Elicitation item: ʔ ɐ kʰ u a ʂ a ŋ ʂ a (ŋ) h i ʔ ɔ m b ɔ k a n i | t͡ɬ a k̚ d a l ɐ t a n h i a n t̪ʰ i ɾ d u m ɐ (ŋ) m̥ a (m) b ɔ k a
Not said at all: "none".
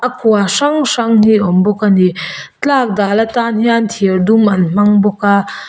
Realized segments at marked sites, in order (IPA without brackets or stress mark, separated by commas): ŋ, n, ŋ